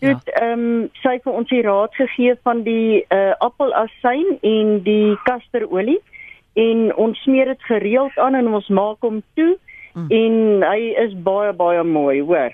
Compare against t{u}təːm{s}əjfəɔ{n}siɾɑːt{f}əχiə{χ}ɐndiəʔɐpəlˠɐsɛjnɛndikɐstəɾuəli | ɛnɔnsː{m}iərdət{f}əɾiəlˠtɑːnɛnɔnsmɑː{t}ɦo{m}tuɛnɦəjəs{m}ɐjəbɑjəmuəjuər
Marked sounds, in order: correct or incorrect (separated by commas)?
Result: correct, correct, correct, incorrect, incorrect, correct, incorrect, incorrect, correct, incorrect